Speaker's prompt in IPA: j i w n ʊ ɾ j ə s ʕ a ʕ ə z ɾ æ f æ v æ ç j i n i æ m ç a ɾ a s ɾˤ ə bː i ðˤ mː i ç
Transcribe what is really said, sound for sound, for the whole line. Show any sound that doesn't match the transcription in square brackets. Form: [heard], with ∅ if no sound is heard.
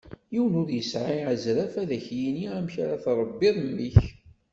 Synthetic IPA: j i w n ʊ ɾ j ə s ʕ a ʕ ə z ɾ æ f æ [ð] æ ç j i n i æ m ç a ɾ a [θ] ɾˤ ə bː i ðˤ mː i ç